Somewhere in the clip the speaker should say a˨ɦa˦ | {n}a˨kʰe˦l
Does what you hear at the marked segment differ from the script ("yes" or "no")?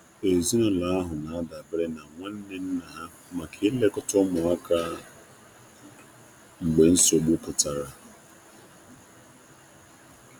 yes